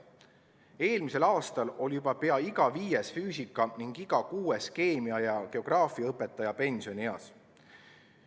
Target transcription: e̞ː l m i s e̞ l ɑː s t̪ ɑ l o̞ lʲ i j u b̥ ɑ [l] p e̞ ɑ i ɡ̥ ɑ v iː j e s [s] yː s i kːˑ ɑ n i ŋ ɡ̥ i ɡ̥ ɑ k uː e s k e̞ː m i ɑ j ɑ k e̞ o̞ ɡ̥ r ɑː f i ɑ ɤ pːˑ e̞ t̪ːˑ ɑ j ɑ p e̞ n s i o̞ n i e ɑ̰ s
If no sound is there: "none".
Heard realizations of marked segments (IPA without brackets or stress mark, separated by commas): none, f